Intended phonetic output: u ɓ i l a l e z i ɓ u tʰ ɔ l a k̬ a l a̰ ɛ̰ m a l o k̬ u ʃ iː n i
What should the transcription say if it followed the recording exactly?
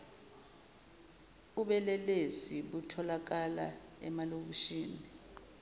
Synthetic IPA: u ɓ ɛ l ɛ l e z i ɓ u tʰ ɔ l a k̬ a l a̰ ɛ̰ m a l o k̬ u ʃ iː n i